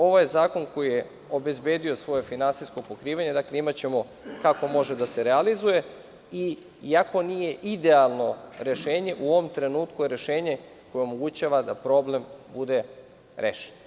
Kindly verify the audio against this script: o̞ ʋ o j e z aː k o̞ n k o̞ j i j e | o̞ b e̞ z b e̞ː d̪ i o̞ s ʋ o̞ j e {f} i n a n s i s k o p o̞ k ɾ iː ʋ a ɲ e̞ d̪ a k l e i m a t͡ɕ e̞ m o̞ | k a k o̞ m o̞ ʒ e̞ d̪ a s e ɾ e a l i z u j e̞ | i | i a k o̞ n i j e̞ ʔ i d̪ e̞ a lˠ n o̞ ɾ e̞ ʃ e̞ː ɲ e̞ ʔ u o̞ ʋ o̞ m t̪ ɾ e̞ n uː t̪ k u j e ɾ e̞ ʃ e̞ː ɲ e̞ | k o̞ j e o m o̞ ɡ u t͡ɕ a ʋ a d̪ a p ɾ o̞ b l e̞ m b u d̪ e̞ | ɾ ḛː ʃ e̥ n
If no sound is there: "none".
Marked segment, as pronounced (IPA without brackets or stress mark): f